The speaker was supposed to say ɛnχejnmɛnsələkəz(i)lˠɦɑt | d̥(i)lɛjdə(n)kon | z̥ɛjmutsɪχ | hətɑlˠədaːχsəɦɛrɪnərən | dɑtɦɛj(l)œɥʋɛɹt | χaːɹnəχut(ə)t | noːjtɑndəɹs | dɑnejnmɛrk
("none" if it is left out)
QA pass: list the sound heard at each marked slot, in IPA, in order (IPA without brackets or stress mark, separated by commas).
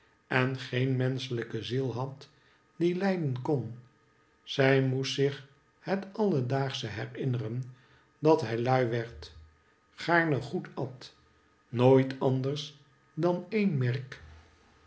i, i, n, l, ɑ